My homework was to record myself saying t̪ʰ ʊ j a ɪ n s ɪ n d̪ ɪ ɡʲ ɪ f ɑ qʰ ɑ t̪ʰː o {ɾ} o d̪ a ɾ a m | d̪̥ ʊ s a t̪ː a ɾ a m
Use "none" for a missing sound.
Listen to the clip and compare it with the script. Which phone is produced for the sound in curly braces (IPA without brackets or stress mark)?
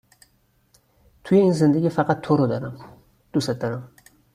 ɾ